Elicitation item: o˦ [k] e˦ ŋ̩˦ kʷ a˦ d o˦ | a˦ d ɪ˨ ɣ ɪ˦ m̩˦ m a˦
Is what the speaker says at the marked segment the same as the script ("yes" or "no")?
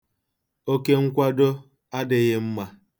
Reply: yes